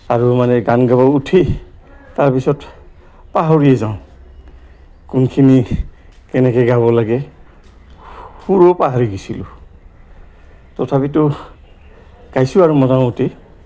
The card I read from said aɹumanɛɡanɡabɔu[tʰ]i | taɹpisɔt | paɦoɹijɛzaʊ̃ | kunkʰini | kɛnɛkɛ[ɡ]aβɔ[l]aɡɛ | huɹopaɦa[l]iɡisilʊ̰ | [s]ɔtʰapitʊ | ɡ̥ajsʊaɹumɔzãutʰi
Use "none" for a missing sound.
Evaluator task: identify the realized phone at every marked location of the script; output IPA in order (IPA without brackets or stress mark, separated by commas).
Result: tʰ, ɡ, l, ɹ, t